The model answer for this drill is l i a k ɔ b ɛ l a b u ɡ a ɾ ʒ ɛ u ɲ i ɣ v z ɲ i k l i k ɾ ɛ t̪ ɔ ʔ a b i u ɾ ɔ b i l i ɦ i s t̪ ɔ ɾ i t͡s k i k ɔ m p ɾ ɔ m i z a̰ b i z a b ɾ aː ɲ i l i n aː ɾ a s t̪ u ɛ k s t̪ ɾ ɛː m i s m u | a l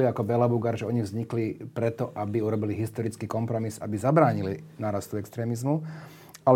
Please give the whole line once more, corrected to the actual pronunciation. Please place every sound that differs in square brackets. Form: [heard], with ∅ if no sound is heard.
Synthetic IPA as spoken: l i a k ɔ b ɛ l a b u ɡ a ɾ ʒ ɛ [ɔ] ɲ i ɣ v z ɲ i k l i [p] ɾ ɛ t̪ ɔ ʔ a b i u ɾ ɔ b i l i ɦ i s t̪ ɔ ɾ i t͡s k i k ɔ m p ɾ ɔ m i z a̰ b i z a b ɾ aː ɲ i l i n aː ɾ a s t̪ u ɛ k s t̪ ɾ ɛː m i [z] m u | a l